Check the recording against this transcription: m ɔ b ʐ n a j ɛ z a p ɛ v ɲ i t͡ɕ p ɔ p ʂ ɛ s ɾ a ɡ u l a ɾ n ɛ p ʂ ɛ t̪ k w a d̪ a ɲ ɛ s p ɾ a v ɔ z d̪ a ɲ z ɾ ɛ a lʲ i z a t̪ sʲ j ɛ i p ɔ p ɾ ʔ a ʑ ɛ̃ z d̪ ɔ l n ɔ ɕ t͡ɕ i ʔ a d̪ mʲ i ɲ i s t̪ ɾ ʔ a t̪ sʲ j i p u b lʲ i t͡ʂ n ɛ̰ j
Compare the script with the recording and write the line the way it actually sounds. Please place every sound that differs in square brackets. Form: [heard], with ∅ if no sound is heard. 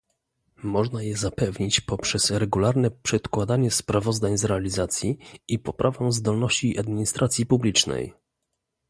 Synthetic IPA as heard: m ɔ [∅] ʐ n a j ɛ z a p ɛ v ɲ i t͡ɕ p ɔ p ʂ ɛ s ɾ [ɛ] ɡ u l a ɾ n ɛ p ʂ ɛ t̪ k w a d̪ a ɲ ɛ s p ɾ a v ɔ z d̪ a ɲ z ɾ ɛ a lʲ i z a t̪ sʲ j [i] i p ɔ p ɾ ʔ a [v] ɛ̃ z d̪ ɔ l n ɔ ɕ t͡ɕ i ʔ a d̪ mʲ i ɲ i s t̪ ɾ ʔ a t̪ sʲ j i p u b lʲ i t͡ʂ n ɛ̰ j